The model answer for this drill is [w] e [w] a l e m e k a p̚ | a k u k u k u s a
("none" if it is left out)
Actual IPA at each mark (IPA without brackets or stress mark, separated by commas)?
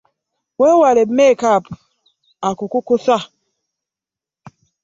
w, w